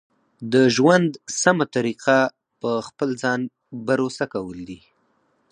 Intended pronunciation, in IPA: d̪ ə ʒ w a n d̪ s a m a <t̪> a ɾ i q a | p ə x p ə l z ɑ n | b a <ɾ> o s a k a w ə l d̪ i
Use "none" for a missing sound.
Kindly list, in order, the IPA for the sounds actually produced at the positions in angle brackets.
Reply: t̪, ɾ

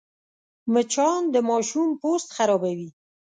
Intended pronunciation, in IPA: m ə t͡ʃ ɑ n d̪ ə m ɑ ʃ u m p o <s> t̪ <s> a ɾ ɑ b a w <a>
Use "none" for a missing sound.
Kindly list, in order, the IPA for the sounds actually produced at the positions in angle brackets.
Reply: s, x, i

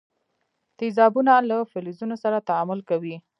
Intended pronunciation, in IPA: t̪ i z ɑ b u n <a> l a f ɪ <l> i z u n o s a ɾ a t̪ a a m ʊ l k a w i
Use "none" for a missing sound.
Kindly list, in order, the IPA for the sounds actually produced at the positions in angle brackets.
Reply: a, l

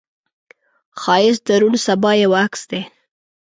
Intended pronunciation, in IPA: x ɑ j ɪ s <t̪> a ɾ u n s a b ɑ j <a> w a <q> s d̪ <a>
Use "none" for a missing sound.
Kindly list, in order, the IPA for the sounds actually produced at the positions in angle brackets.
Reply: d̪, a, k, e

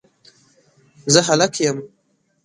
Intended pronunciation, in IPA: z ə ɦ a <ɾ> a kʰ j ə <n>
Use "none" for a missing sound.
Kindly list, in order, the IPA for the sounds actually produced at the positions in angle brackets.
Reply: l, m

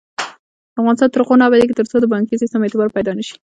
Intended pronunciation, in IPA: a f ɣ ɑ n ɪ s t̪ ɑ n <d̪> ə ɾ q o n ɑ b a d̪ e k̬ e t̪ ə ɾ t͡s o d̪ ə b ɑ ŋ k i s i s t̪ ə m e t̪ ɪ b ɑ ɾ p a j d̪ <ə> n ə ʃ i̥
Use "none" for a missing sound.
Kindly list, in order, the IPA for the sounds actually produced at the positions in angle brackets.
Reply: t̪, ɑ

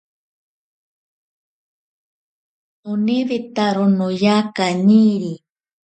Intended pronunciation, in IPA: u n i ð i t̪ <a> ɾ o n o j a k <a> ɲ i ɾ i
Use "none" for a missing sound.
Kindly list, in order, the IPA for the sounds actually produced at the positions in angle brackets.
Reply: a, a

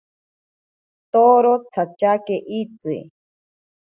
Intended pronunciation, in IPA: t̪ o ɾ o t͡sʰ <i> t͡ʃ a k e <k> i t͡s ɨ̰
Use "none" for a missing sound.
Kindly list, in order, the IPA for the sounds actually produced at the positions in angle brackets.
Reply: a, ʔ

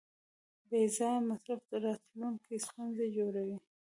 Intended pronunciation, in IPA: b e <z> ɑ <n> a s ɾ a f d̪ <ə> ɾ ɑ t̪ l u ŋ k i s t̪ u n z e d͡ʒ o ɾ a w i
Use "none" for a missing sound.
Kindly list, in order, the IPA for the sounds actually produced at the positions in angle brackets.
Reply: z, m, ə

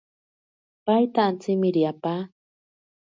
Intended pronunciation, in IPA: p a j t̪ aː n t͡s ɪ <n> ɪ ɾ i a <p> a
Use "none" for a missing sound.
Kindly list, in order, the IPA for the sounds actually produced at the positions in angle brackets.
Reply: m, p

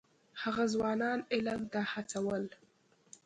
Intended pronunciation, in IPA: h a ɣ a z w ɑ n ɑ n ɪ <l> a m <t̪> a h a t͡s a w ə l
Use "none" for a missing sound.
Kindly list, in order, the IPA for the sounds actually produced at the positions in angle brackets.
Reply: l, t̪

